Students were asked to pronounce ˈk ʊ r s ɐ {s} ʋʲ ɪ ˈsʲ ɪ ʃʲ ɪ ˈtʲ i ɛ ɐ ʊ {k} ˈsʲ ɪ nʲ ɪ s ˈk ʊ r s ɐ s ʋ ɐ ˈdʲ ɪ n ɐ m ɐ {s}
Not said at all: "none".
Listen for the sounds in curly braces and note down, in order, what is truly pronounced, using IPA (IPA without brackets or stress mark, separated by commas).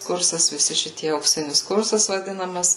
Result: s, k, s